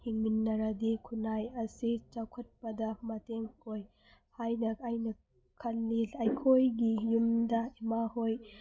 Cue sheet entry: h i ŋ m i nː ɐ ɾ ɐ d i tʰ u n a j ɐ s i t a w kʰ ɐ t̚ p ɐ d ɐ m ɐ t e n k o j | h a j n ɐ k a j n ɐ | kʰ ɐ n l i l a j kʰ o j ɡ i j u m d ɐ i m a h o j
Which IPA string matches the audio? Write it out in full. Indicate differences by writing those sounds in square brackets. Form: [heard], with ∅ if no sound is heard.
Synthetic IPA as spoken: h i ŋ m i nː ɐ ɾ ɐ d i [kʰ] u n a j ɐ s i [t͡ʃ] a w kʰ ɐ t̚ p ɐ d ɐ m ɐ t e [ŋ] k o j | h a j n ɐ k a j n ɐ | kʰ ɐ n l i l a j kʰ o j ɡ i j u m d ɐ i m a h o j